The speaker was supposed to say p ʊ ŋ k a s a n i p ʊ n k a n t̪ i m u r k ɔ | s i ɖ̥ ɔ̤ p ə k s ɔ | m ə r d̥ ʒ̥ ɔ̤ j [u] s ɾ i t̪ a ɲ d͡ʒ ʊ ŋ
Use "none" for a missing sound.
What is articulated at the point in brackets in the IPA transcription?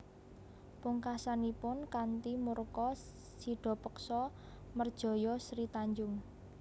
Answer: ɔ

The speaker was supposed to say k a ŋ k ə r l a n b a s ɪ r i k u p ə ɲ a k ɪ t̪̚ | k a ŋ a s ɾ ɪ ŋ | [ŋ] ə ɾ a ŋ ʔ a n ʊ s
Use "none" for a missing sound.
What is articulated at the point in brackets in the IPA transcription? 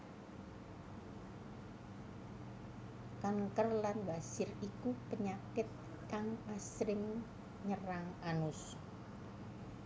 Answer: ɲ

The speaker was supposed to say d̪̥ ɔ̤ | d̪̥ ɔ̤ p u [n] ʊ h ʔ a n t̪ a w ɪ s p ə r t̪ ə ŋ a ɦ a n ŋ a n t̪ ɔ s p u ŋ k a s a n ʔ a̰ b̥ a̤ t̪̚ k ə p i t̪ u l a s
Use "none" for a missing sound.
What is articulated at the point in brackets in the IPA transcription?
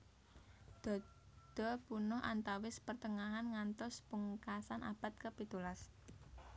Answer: n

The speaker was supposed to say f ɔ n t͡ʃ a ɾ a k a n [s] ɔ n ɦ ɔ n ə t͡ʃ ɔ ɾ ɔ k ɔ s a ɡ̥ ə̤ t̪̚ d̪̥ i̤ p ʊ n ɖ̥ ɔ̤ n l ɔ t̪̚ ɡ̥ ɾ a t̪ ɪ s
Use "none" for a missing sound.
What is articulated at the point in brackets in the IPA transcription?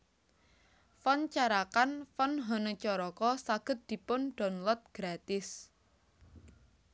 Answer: f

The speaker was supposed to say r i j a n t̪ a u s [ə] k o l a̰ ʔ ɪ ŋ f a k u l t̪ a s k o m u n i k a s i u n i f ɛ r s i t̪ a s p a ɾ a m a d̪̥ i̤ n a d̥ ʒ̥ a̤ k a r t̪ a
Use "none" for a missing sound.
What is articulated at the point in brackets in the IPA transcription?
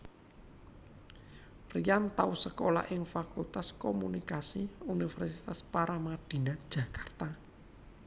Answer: ə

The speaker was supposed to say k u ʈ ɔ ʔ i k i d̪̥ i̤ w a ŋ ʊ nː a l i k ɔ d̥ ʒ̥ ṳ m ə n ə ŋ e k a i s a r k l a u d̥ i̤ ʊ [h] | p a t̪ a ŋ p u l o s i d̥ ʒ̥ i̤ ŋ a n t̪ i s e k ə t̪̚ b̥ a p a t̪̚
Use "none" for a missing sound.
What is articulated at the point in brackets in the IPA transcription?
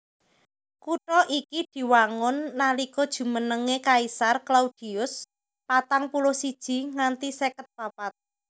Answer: s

